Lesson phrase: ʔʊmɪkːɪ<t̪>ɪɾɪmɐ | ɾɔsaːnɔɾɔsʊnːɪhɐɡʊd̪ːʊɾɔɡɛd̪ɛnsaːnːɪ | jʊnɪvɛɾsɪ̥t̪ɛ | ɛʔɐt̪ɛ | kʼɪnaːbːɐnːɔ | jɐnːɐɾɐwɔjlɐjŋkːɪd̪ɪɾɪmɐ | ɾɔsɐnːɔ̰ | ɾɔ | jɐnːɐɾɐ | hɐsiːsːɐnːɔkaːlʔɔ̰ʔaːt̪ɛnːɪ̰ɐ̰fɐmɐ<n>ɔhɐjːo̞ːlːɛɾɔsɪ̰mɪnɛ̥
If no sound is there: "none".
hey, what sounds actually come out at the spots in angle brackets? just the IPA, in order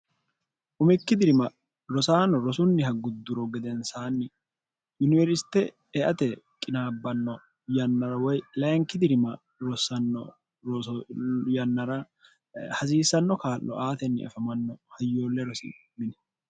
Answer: d̪, nː

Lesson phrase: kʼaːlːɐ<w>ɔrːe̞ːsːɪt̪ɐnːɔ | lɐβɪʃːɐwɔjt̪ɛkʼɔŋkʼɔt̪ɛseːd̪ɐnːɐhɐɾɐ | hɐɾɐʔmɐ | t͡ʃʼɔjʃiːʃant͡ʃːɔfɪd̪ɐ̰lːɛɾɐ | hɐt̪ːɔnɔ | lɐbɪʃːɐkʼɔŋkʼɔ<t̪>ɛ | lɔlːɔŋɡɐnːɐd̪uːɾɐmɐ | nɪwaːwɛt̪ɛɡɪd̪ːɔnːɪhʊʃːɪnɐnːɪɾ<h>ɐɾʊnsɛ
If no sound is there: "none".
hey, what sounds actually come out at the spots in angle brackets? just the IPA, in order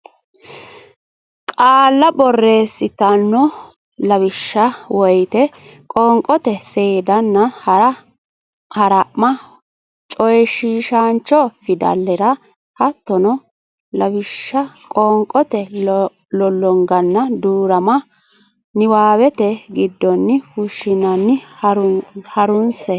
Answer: b, t̪, h

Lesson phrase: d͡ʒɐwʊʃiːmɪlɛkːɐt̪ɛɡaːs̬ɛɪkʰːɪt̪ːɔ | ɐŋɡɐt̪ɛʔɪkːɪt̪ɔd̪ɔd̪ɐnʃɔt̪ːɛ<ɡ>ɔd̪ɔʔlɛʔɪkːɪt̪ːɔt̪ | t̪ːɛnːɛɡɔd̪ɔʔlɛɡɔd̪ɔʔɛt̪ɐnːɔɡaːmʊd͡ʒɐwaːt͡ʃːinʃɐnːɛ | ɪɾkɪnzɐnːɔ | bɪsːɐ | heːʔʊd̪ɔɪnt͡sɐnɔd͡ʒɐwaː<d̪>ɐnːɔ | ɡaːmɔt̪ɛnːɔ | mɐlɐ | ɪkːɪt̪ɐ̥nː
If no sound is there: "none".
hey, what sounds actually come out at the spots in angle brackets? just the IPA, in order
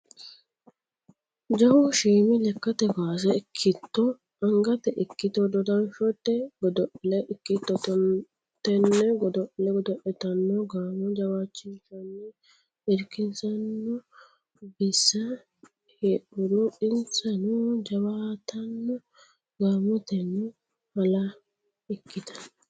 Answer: ɡ, t̪

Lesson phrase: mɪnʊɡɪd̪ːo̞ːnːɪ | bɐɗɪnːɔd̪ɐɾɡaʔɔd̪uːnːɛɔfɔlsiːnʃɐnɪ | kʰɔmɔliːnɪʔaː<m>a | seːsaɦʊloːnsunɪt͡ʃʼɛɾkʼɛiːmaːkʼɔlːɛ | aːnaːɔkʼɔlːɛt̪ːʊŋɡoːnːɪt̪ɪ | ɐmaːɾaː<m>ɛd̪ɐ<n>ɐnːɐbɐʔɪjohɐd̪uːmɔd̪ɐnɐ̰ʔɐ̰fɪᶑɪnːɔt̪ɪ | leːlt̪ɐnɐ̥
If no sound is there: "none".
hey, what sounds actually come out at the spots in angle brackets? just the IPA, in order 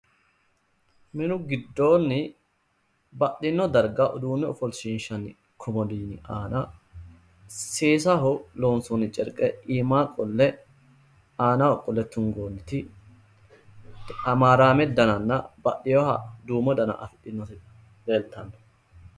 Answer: n, m, n

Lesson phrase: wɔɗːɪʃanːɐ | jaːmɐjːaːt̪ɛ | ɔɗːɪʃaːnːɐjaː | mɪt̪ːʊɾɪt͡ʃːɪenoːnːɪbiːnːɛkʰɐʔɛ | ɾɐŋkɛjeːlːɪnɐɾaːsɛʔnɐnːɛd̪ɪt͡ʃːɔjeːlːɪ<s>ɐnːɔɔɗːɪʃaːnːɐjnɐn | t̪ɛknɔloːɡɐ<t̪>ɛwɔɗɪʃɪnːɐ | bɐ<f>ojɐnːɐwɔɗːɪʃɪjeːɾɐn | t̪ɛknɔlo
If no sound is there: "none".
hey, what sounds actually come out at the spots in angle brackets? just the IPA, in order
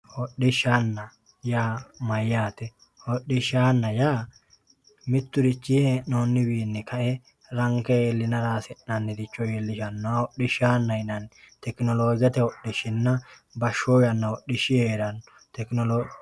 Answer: ʃ, t̪, ʃ

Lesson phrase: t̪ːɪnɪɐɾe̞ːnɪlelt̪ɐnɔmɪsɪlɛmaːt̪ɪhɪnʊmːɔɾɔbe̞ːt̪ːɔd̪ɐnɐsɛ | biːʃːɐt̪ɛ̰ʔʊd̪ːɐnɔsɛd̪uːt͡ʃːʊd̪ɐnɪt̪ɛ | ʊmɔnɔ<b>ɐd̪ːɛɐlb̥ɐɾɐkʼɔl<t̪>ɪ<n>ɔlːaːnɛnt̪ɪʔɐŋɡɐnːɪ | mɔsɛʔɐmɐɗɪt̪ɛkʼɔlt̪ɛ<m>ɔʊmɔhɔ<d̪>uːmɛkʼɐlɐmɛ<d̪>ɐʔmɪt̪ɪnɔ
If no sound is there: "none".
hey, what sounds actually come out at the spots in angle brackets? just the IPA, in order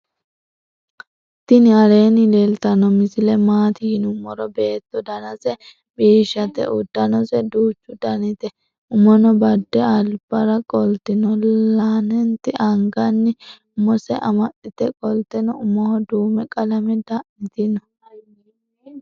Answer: b, t̪, n, n, d̪, d̪

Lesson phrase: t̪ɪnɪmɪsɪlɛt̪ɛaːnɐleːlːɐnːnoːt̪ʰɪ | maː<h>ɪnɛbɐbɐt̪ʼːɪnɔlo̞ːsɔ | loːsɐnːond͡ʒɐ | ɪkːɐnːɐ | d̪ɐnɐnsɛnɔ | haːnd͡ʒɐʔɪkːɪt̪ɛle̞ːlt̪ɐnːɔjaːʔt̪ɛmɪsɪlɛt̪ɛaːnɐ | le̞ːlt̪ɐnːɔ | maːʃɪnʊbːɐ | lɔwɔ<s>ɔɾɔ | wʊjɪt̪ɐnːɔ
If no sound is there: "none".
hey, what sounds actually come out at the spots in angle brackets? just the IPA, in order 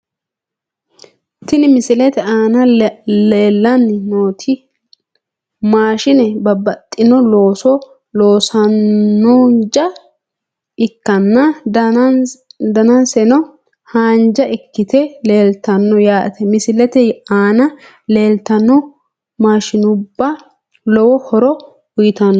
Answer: ʃ, h

